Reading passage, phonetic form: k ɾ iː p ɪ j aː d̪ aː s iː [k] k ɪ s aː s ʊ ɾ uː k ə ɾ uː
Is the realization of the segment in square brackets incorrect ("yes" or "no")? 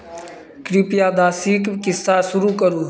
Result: no